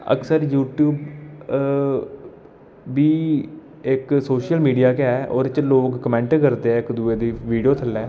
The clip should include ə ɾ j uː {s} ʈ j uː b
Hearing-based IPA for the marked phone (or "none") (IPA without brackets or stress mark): none